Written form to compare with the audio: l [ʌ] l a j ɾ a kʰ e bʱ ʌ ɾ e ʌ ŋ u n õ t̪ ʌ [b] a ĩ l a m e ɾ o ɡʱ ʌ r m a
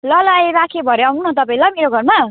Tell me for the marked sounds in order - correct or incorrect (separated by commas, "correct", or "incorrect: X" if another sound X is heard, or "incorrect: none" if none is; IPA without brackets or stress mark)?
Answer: correct, incorrect: p